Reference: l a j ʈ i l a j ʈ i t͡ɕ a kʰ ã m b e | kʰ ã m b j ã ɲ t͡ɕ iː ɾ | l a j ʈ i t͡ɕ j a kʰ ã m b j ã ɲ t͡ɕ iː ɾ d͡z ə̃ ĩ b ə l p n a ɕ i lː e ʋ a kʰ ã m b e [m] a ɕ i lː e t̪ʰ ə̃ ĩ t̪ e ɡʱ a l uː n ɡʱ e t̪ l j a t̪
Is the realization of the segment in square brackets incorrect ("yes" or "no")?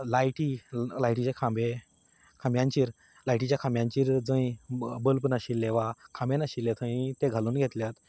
yes